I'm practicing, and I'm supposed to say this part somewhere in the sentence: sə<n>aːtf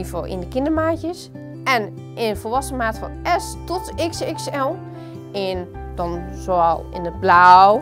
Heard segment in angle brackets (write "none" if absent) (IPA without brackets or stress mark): m